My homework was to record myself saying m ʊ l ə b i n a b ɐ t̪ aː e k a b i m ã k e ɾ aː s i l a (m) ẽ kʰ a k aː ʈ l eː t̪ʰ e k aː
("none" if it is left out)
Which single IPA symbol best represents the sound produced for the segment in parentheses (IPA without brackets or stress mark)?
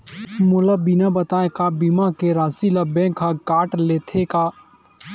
b